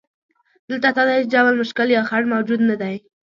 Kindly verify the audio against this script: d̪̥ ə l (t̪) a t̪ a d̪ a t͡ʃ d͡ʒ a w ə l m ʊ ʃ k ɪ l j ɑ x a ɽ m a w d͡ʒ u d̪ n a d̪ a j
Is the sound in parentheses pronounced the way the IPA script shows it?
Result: yes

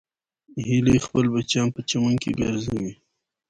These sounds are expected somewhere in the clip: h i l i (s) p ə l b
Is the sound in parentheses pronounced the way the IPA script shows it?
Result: no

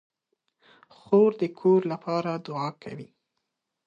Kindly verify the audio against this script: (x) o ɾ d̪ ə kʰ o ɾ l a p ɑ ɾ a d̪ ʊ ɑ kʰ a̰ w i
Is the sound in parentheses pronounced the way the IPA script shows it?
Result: yes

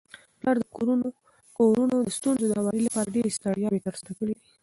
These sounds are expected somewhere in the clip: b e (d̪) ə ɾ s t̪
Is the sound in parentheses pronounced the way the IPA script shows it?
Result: no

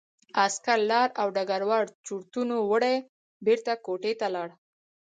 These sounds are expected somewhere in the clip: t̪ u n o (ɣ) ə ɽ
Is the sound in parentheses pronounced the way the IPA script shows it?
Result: no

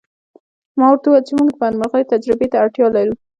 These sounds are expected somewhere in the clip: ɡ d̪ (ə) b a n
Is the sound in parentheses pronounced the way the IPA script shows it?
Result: yes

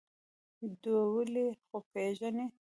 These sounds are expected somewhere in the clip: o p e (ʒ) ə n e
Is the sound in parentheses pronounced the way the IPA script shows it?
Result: yes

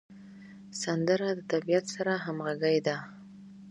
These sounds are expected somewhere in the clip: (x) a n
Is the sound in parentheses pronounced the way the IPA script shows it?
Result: no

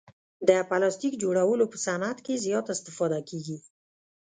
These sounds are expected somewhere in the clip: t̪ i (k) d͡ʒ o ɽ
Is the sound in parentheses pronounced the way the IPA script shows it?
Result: yes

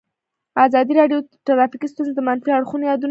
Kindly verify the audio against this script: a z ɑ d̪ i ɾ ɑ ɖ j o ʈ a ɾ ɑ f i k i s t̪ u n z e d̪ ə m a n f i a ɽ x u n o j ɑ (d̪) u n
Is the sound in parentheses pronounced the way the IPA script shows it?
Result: yes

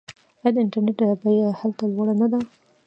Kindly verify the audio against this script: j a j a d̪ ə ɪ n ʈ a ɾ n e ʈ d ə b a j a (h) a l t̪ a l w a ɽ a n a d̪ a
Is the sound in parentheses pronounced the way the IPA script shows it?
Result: yes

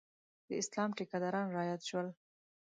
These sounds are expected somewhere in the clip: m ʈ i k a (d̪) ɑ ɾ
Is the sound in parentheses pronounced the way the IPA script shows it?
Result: yes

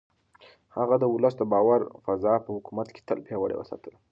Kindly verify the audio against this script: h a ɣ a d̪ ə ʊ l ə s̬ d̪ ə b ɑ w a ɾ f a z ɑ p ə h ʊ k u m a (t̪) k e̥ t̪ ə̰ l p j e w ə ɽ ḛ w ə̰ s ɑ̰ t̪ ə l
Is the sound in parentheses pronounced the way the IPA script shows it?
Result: yes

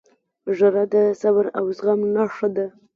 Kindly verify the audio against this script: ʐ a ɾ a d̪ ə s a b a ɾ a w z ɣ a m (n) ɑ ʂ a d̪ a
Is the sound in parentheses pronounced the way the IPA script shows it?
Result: yes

